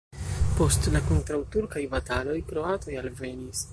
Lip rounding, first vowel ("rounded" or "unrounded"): rounded